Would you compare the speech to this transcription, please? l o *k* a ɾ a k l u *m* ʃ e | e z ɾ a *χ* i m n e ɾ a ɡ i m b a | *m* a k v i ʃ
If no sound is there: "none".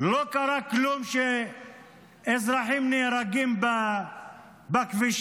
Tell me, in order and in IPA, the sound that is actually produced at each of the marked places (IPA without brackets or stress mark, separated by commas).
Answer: k, m, ħ, b